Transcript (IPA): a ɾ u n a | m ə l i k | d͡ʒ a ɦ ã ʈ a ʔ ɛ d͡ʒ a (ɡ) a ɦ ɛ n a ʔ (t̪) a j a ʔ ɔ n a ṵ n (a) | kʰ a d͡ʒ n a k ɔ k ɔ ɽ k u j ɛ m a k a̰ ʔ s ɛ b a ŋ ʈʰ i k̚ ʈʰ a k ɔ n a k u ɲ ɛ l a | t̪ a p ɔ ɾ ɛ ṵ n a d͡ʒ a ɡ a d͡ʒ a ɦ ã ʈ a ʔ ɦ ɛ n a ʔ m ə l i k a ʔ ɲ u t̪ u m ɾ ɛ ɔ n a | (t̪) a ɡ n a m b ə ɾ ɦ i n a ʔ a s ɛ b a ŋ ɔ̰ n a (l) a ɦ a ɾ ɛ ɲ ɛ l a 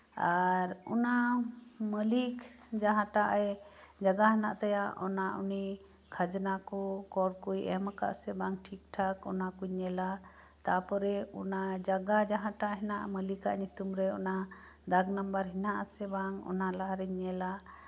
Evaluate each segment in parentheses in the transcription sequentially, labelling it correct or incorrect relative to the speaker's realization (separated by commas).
correct, correct, incorrect, incorrect, correct